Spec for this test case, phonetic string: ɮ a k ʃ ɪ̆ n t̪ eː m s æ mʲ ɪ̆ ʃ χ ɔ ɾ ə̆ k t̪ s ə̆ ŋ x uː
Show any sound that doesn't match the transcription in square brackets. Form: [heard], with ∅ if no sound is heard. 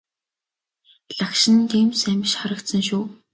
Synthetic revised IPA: ɮ a k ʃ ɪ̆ n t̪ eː m s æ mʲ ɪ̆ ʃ χ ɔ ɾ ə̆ k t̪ s ə̆ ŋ [ʃ] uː